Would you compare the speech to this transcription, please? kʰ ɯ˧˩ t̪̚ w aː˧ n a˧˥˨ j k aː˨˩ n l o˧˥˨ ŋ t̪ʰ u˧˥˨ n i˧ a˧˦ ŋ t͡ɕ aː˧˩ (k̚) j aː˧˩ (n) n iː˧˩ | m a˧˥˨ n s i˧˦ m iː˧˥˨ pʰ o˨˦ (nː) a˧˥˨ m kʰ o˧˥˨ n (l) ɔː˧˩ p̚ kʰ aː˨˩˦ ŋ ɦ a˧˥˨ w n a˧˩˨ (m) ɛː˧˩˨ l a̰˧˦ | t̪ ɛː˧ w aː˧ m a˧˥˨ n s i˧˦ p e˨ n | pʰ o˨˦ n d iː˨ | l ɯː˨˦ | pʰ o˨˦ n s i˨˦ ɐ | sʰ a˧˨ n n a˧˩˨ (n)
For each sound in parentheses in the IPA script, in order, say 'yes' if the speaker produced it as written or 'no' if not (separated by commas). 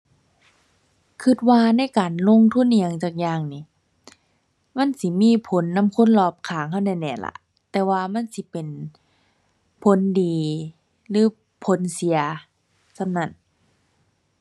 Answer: yes, no, yes, yes, no, yes